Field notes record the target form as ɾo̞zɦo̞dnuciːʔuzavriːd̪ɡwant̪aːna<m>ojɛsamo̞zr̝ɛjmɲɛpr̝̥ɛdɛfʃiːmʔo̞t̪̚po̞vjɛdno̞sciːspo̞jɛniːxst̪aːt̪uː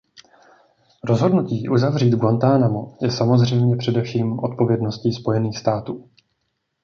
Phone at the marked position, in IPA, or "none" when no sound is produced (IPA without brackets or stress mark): m